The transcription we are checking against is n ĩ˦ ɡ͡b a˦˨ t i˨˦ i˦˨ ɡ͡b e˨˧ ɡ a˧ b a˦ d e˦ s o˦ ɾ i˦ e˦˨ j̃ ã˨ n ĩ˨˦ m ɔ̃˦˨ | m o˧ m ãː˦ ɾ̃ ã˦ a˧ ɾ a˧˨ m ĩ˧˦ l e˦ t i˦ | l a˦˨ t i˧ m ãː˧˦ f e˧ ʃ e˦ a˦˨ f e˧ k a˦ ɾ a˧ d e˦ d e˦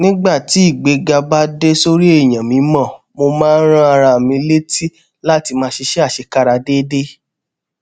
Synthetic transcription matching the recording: n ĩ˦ ɡ͡b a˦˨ t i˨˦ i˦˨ ɡ͡b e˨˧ ɡ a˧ b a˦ d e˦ s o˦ ɾ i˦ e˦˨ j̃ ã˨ m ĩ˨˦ m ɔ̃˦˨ | m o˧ m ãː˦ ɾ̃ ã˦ a˧ ɾ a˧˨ m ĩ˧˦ l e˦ t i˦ | l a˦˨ t i˧ m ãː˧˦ ʃ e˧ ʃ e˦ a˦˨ ʃ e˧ k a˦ ɾ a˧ d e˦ d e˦